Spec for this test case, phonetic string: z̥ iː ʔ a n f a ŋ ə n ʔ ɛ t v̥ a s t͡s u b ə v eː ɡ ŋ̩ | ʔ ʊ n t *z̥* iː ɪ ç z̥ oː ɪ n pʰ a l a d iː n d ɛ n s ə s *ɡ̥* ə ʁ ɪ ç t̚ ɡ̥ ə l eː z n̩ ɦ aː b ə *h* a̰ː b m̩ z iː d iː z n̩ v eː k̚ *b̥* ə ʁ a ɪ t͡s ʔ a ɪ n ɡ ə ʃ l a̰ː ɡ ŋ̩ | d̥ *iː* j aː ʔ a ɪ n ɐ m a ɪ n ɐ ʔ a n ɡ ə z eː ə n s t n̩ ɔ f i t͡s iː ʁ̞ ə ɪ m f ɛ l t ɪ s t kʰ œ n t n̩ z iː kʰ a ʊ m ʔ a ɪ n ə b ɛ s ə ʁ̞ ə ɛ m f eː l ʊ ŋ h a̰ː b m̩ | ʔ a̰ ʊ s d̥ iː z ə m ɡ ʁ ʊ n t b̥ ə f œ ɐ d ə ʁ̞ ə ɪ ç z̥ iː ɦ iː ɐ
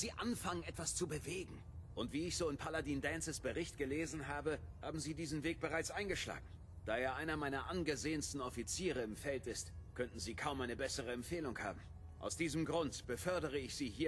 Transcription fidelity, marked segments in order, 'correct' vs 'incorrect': incorrect, incorrect, correct, correct, incorrect

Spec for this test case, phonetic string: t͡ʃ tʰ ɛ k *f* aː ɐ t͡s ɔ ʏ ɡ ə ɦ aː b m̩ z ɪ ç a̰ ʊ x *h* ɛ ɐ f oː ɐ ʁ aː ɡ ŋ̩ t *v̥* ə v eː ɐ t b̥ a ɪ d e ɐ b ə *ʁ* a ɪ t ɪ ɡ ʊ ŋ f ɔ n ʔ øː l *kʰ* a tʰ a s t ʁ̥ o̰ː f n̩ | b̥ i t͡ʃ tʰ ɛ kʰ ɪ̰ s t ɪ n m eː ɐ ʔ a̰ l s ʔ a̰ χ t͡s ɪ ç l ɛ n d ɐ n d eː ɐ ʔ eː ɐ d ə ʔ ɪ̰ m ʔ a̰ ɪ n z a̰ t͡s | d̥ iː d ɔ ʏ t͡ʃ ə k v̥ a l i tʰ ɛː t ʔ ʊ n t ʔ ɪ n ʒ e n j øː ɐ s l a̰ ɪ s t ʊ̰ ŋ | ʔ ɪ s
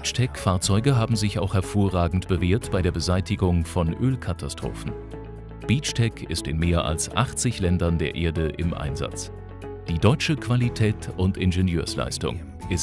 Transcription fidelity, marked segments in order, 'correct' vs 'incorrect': correct, correct, incorrect, incorrect, correct

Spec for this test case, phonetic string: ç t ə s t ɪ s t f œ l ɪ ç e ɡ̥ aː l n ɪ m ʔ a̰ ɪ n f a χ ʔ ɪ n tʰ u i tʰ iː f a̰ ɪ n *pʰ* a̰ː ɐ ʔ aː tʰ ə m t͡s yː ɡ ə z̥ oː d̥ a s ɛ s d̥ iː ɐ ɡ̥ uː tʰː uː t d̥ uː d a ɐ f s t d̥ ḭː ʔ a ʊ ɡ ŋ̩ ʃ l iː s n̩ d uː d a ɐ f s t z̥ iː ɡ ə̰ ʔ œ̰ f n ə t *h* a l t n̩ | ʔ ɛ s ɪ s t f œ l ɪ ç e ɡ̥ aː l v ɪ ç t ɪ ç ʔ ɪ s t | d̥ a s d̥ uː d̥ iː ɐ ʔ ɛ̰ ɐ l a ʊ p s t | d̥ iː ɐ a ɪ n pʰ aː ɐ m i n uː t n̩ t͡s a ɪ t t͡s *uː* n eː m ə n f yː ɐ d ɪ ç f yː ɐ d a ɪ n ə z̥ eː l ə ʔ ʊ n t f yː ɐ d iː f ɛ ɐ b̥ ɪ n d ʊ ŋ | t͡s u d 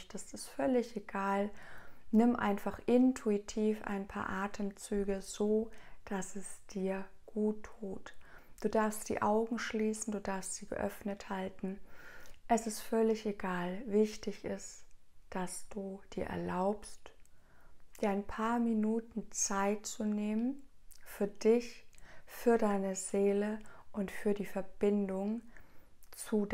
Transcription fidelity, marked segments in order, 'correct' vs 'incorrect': correct, correct, incorrect

